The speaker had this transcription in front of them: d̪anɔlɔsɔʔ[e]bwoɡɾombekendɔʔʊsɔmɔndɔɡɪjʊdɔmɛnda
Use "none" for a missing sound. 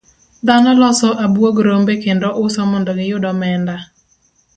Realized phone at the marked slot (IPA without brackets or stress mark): a